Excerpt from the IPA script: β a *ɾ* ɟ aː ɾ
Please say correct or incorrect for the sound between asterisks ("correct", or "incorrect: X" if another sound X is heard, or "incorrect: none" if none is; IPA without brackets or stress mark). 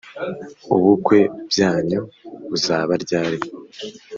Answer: correct